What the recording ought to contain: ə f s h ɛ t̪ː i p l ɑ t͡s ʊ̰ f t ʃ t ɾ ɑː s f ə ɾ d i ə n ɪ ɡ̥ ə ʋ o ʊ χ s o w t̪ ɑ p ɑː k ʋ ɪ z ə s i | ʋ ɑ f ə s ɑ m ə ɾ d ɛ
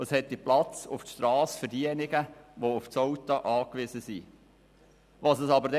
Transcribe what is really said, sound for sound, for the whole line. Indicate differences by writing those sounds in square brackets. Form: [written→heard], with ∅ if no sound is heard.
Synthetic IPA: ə [f→∅] s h ɛ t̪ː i p l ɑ t͡s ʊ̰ f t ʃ t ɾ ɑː s f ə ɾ d i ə n ɪ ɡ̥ ə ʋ o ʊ [χ→f] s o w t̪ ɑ [p→ʔ] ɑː k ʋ ɪ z ə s i | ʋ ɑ [f→s] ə s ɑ [m→b] ə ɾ d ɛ